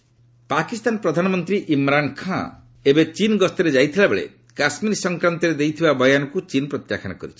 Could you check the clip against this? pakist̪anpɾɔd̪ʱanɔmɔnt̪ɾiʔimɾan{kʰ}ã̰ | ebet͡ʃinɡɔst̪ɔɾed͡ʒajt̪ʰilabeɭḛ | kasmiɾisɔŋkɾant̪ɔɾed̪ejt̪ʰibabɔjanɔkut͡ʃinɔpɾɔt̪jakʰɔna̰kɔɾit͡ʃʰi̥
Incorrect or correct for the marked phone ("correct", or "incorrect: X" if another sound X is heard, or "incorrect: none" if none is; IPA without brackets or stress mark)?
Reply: correct